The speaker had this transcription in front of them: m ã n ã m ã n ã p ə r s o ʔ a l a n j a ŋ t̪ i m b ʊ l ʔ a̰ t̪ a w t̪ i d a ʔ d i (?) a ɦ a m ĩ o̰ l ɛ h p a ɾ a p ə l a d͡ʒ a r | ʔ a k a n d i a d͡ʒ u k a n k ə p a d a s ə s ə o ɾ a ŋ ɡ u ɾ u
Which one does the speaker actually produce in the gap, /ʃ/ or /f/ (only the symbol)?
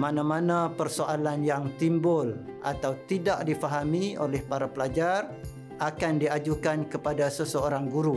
f